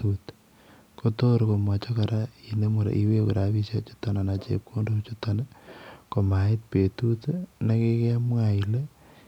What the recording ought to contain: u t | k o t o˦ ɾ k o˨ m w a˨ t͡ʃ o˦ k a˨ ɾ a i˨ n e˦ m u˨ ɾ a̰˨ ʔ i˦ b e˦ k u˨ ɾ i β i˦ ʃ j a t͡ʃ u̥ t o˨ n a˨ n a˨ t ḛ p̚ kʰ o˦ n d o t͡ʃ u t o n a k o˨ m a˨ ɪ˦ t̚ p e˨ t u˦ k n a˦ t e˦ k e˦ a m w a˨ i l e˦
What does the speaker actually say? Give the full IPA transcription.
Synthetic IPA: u t | k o t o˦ ɾ k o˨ m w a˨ t͡ʃ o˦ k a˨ ɾ a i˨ n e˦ m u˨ ɾ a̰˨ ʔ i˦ w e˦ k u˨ ɾ a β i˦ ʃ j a t͡ʃ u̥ t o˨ n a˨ n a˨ t͡ʃ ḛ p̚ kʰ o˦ n d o t͡ʃ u t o n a k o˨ m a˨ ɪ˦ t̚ p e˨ t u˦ t n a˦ k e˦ k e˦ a m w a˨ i l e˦